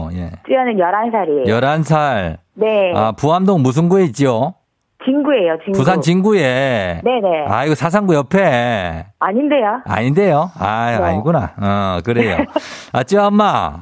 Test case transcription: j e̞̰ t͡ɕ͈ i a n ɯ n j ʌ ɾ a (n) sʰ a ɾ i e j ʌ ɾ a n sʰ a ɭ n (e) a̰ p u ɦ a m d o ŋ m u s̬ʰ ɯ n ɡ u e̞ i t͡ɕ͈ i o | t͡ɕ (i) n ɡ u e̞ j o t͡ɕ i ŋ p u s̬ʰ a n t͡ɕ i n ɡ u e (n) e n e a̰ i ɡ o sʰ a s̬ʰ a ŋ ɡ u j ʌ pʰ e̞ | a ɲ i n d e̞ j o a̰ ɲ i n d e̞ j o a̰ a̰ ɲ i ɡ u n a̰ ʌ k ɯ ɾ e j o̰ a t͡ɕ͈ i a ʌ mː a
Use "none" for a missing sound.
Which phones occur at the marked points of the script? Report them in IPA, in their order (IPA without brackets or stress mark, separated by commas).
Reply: n, e, i, n